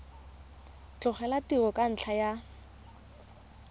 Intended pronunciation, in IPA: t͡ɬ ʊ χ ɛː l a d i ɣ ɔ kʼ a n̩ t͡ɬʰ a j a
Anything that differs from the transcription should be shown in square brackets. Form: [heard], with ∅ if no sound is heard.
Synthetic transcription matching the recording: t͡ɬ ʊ χ [ɛ] l a [t] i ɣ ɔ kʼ a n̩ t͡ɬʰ a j a